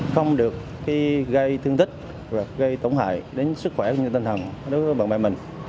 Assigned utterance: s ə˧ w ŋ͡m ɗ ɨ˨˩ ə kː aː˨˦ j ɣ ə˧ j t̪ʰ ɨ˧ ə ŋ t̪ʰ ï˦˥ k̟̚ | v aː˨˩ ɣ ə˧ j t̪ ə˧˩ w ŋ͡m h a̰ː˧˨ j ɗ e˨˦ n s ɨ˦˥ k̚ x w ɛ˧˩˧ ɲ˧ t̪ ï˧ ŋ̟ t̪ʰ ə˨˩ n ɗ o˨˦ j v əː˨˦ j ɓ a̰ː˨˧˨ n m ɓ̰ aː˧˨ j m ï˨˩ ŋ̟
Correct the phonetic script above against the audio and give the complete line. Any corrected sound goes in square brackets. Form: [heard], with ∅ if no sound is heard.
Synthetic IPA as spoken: [x] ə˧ w ŋ͡m ɗ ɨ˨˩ ə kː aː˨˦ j ɣ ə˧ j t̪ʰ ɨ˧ ə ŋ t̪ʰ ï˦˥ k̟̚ | v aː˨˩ ɣ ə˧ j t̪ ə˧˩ w ŋ͡m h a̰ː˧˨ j ɗ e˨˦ n s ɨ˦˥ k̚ x w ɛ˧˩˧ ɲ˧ t̪ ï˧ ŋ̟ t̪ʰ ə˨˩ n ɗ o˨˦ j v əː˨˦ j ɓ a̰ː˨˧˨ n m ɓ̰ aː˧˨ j m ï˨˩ ŋ̟